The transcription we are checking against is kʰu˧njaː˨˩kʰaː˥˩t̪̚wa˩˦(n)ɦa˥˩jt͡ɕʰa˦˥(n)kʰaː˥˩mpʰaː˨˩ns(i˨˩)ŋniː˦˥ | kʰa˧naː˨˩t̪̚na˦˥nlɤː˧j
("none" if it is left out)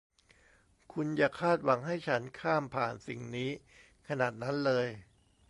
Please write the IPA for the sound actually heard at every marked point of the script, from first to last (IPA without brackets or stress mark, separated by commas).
ŋ, n, i˨˩